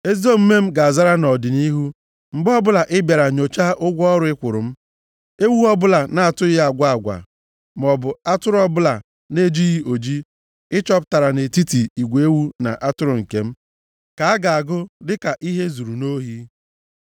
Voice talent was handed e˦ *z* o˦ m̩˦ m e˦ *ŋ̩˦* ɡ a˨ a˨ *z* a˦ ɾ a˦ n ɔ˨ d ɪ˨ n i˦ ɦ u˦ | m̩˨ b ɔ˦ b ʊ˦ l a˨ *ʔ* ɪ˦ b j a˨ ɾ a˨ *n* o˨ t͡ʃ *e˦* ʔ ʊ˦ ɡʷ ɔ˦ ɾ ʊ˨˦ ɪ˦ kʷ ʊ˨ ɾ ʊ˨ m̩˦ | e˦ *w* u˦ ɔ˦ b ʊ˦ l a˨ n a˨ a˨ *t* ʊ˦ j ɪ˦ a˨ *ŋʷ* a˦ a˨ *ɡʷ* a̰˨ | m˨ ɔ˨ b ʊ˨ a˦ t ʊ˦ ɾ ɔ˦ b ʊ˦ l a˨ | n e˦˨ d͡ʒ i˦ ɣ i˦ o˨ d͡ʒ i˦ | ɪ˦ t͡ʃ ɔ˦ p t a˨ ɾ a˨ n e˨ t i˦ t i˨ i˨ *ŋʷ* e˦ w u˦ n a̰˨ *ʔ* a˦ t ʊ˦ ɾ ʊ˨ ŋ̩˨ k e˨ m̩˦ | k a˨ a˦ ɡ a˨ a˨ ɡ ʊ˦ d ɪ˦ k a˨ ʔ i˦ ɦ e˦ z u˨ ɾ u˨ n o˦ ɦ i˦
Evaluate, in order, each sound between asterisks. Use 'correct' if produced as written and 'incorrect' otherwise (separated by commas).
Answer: correct, incorrect, correct, correct, incorrect, incorrect, correct, correct, incorrect, correct, incorrect, correct